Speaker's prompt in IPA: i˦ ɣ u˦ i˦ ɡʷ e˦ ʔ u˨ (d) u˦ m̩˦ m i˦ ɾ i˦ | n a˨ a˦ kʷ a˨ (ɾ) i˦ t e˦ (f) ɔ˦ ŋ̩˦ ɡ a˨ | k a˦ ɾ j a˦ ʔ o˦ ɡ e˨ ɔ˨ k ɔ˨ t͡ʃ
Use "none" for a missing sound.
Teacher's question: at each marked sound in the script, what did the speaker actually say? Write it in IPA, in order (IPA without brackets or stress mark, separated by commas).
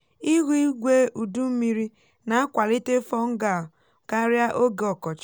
d, l, f